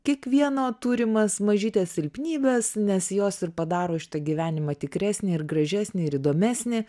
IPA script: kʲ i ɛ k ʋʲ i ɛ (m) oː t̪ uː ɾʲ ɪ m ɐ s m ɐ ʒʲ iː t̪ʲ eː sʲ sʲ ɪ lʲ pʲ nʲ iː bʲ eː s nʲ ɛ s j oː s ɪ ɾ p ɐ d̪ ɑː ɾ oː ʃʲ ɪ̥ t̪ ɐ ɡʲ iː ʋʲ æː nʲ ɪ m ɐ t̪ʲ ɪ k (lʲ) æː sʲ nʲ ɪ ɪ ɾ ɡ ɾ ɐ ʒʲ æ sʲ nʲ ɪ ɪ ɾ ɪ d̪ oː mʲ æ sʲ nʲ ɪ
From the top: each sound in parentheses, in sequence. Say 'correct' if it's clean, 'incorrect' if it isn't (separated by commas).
incorrect, incorrect